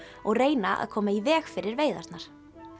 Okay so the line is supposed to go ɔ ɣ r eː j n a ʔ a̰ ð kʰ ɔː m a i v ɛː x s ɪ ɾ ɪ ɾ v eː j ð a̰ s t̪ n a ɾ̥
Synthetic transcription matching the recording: ɔ ɣ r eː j n a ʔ a̰ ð kʰ ɔː m a i v ɛː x f ɪ ɾ ɪ ɾ v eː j ð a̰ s t̪ n a ɾ̥